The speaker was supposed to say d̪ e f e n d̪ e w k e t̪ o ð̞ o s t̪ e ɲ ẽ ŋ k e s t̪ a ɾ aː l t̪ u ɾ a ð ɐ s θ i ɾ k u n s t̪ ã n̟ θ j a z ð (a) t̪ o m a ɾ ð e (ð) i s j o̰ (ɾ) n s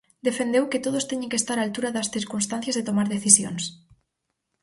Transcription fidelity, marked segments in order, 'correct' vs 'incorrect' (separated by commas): incorrect, incorrect, incorrect